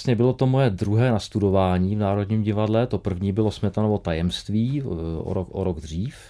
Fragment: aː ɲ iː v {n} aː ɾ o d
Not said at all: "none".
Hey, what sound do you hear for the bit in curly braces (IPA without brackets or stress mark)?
n